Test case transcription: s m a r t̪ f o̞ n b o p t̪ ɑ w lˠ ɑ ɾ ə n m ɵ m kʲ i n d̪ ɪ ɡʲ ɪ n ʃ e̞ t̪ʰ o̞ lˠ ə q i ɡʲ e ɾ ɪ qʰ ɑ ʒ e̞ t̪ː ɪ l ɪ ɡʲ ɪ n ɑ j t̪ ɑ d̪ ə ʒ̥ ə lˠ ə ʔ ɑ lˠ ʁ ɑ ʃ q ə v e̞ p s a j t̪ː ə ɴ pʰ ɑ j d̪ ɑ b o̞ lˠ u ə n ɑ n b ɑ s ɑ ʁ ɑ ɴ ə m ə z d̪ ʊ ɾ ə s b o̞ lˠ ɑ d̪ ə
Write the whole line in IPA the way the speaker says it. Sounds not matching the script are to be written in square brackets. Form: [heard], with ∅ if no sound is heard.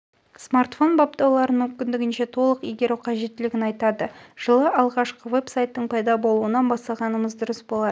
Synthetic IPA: s m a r t̪ f o̞ n b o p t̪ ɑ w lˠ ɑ ɾ ə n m ɵ m kʲ [ɪ] n d̪ ɪ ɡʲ ɪ n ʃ e̞ t̪ʰ o̞ lˠ ə q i ɡʲ e ɾ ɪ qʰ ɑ ʒ e̞ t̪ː ɪ l ɪ ɡʲ ɪ n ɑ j t̪ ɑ d̪ ə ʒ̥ ə lˠ ə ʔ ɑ lˠ ʁ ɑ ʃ q ə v e̞ p s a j t̪ː ə ɴ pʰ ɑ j d̪ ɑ b o̞ lˠ u ə n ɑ n b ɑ s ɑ ʁ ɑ [n] ə m ə z d̪ ʊ ɾ ə s b o̞ lˠ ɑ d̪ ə

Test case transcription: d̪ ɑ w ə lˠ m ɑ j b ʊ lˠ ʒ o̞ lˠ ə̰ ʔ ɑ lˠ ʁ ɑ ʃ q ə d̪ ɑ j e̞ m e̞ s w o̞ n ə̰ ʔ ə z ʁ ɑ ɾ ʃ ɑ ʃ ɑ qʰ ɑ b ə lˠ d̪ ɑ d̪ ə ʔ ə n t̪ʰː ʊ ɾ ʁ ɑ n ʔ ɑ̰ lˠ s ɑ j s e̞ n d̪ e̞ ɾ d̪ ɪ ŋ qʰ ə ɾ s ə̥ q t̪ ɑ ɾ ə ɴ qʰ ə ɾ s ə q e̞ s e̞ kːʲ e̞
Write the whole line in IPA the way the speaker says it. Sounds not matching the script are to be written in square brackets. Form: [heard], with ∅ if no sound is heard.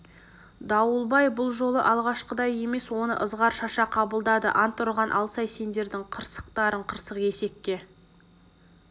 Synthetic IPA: d̪ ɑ w ə lˠ [b] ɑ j b ʊ lˠ ʒ o̞ lˠ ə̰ ʔ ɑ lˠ ʁ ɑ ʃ q ə d̪ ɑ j e̞ m e̞ s w o̞ n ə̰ ʔ ə z ʁ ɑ ɾ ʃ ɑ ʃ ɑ qʰ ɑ b ə lˠ d̪ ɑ d̪ ə ʔ [ɑ] n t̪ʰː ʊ ɾ ʁ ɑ n ʔ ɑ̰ lˠ s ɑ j s e̞ n d̪ e̞ ɾ d̪ ɪ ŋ qʰ ə ɾ s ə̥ q t̪ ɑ ɾ ə ɴ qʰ ə ɾ s ə q e̞ s e̞ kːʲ e̞

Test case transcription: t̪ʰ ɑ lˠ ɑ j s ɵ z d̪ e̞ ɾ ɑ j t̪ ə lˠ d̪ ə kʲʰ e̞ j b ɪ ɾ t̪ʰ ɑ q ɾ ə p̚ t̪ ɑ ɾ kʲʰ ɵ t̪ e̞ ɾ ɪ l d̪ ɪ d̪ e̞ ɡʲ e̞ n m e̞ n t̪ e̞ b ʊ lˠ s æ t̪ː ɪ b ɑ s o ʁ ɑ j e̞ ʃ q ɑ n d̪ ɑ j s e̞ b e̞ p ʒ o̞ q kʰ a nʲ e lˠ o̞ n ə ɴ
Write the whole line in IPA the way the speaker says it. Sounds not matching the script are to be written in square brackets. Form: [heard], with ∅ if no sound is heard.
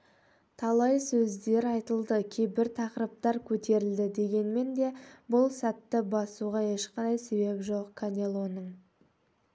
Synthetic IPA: t̪ʰ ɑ lˠ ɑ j s ɵ z d̪ e̞ ɾ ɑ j t̪ ə lˠ d̪ ə kʲʰ e̞ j b ɪ ɾ t̪ʰ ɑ q ɾ ə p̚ t̪ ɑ ɾ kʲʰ ɵ t̪ e̞ ɾ ɪ l d̪ ɪ d̪ e̞ ɡʲ e̞ n m e̞ n [d̪] e̞ b ʊ lˠ s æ t̪ː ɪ b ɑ s [u] ʁ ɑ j e̞ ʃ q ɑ n d̪ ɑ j s e̞ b e̞ p ʒ o̞ q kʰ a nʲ e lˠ o̞ n ə ɴ

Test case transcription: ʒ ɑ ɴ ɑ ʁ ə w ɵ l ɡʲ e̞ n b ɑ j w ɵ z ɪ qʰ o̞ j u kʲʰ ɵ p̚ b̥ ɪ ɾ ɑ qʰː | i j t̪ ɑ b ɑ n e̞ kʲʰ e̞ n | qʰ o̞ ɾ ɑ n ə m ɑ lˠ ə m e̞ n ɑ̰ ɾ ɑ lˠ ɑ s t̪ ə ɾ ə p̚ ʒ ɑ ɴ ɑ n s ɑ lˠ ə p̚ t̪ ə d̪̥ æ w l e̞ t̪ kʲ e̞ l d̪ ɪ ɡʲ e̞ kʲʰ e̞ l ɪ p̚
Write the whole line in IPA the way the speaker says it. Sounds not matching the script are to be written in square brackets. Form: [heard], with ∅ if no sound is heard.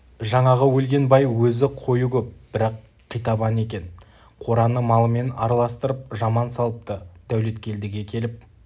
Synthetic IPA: ʒ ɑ ɴ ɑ ʁ ə w ɵ l ɡʲ e̞ n b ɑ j w ɵ z ɪ qʰ o̞ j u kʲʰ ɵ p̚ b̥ ɪ ɾ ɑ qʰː | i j t̪ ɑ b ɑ n e̞ [kʲ] e̞ n | qʰ o̞ ɾ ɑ n ə m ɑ lˠ ə m e̞ n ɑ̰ ɾ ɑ lˠ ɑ s t̪ ə ɾ ə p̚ ʒ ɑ [m] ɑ n s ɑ lˠ ə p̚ t̪ ə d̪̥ æ w l e̞ t̪ kʲ e̞ l d̪ ɪ ɡʲ e̞ kʲʰ e̞ l ɪ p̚

